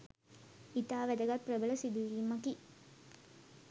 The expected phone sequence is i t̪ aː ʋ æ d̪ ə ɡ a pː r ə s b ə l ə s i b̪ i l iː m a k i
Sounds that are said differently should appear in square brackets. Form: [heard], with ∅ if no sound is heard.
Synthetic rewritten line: i t̪ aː ʋ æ d̪ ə ɡ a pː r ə [∅] b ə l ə s i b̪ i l iː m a k i